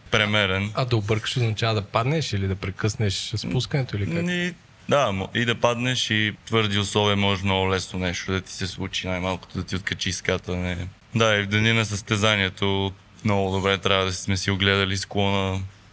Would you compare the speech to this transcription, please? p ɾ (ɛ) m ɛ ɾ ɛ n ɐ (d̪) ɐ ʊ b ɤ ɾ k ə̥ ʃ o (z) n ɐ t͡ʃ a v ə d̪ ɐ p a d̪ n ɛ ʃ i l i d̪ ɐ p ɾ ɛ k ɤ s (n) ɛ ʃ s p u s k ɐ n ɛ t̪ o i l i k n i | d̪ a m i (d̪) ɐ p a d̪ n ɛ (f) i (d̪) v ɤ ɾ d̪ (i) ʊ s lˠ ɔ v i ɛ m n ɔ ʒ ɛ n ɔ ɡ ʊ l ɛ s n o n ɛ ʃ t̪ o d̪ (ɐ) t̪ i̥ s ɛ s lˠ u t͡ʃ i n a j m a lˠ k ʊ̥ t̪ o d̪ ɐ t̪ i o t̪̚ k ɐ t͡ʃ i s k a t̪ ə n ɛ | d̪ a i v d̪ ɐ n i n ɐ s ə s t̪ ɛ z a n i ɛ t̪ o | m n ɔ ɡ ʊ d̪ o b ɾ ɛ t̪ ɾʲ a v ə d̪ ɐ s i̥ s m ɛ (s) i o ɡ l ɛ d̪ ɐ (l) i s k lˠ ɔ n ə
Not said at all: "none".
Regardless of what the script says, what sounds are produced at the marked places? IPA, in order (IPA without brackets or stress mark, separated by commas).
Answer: ɛ, d̪, z, n, d̪, ʃ, t̪, i, ɐ, s, l